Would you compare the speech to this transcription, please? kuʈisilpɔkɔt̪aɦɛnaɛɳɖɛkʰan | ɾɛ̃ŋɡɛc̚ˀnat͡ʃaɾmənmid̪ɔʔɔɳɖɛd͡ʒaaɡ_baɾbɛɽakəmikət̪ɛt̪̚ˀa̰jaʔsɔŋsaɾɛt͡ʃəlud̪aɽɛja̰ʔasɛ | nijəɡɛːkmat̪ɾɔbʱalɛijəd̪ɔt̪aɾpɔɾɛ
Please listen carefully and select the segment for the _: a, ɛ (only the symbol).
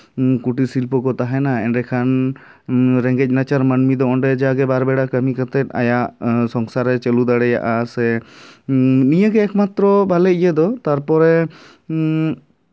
ɛ